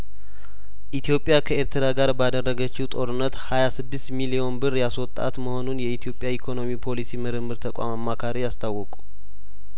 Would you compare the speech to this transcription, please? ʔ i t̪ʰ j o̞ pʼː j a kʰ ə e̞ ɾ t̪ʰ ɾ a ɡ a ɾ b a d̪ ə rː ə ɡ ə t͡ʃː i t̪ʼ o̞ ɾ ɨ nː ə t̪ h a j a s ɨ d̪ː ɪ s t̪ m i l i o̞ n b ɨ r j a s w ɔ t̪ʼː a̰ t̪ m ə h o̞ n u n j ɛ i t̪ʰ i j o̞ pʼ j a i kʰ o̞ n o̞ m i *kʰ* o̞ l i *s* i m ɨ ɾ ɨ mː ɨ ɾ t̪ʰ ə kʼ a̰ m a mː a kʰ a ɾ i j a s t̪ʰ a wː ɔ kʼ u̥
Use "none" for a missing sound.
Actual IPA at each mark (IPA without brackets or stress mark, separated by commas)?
pʰ, s